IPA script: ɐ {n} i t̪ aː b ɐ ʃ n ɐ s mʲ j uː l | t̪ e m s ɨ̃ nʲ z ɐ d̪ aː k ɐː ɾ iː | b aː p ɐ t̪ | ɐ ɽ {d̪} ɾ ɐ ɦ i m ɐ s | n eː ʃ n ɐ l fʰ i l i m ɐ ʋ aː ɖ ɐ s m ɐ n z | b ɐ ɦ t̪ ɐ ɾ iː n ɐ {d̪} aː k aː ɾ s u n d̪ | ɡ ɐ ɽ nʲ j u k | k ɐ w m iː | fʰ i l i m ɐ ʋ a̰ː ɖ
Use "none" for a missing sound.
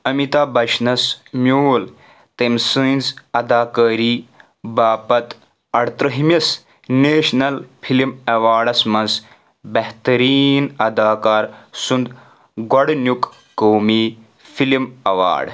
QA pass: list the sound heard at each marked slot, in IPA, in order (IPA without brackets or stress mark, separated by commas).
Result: m, t̪, d̪